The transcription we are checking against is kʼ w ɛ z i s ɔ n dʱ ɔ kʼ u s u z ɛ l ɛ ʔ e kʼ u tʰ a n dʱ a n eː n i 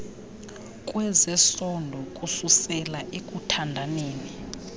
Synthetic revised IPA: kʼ w ɛ z ɛ s ɔ n dʱ ɔ kʼ u s u s ɛ l a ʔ e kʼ u tʰ a n dʱ a n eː n i